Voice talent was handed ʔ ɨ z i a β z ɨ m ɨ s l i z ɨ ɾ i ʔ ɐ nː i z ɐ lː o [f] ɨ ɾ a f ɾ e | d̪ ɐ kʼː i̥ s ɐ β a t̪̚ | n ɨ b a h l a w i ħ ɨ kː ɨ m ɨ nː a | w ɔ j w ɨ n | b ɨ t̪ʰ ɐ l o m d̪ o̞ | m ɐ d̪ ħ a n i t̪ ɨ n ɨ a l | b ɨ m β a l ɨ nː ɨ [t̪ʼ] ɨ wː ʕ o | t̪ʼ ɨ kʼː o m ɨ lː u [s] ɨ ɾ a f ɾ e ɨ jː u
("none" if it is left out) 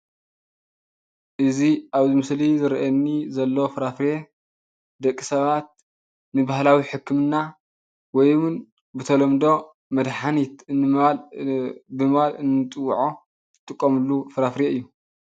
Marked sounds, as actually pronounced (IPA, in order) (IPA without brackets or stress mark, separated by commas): f, t̪ʼ, f